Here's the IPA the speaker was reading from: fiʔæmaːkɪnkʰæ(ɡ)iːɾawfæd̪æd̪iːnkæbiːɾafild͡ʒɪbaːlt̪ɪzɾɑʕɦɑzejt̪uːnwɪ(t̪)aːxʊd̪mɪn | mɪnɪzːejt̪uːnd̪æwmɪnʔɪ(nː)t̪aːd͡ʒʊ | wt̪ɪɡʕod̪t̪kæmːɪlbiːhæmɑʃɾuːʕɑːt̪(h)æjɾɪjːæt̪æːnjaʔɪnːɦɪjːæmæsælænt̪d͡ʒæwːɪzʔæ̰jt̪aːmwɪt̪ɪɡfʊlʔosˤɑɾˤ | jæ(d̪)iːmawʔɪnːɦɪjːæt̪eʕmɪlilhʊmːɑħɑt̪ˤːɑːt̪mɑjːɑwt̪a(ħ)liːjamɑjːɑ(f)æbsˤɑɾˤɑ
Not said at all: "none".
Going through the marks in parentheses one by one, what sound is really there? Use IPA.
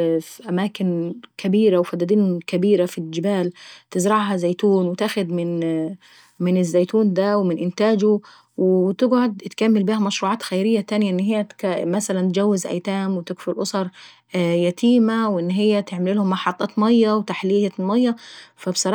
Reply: b, t̪, n, x, t̪, ħ, f

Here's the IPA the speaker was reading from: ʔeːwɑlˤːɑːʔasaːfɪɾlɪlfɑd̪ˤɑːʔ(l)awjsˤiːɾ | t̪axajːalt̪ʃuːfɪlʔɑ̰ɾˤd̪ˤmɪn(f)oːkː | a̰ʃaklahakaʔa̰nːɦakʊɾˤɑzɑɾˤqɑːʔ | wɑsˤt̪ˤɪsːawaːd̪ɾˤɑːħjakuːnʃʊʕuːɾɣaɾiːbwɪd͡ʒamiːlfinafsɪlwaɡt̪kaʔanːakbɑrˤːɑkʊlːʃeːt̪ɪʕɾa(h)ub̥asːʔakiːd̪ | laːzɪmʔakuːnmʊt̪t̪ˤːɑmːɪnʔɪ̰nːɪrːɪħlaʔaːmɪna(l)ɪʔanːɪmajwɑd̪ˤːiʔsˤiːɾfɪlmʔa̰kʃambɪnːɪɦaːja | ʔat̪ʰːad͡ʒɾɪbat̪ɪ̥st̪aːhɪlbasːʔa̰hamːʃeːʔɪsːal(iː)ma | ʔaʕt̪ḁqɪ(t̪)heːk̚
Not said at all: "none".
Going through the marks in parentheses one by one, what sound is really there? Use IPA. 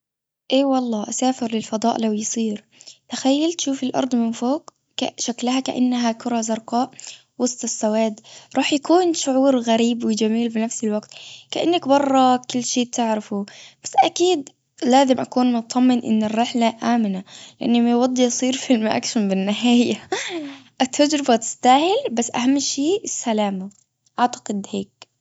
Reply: l, f, f, l, aː, d̪

